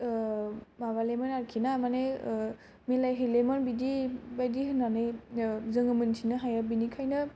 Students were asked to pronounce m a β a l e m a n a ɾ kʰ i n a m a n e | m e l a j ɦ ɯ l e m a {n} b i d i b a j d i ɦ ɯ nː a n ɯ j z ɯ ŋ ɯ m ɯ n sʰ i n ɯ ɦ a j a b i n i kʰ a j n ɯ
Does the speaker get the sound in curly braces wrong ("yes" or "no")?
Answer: no